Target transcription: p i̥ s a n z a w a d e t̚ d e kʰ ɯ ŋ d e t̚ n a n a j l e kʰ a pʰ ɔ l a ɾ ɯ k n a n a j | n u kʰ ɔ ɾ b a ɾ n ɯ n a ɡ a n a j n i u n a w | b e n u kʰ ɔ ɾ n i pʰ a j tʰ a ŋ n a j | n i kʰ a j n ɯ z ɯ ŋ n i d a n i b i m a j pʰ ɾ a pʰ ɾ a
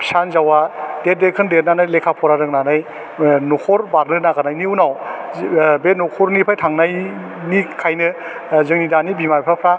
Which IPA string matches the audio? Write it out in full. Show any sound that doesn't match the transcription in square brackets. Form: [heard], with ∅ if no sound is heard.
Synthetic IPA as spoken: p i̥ s a n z a w a d e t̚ d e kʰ ɯ [n] d e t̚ n a n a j l e kʰ a pʰ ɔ [ɾ] a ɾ ɯ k n a n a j | n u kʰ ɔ ɾ b a ɾ n ɯ n a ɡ a n a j n i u n a w | b e n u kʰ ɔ ɾ n i pʰ a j tʰ a ŋ n a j | n i kʰ a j n ɯ z ɯ ŋ n i d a n i b i m a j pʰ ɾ a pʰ ɾ a